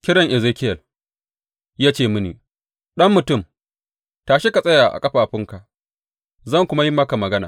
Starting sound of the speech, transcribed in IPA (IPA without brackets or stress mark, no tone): kʲ